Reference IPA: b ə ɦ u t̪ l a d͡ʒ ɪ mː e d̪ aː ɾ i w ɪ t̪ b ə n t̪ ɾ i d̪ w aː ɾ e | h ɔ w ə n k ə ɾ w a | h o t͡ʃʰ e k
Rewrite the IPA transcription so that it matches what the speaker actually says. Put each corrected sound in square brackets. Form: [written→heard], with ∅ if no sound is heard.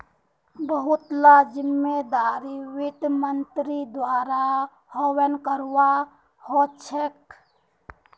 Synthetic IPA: b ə ɦ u t̪ l a d͡ʒ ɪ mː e d̪ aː ɾ i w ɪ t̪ [b→m] ə n t̪ ɾ i d̪ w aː ɾ [e→a] | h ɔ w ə n k ə ɾ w a | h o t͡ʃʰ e k